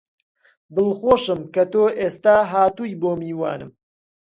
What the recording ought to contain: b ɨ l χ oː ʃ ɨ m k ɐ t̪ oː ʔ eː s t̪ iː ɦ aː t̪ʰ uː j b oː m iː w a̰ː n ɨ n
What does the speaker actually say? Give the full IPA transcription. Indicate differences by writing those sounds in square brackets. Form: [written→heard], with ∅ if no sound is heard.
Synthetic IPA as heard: b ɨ l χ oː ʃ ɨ m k ɐ t̪ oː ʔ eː s t̪ [iː→aː] ɦ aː [t̪ʰ→t̪] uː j b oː m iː w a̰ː n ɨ [n→m]